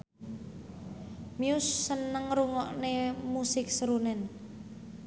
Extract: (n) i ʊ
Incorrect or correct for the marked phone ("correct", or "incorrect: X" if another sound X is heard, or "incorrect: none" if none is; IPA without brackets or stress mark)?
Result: incorrect: m